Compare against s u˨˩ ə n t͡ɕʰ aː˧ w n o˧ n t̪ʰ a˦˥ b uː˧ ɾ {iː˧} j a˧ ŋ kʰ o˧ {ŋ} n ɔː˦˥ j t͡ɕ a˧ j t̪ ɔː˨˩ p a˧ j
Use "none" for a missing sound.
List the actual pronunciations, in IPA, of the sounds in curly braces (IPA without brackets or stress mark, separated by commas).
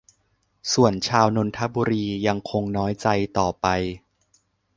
iː˧, ŋ